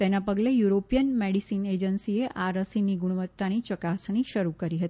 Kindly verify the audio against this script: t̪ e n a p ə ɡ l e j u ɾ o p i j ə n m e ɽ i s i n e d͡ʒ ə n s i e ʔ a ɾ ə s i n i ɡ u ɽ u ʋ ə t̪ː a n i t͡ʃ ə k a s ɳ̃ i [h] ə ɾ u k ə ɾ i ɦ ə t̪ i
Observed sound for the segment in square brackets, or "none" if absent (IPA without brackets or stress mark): ʃ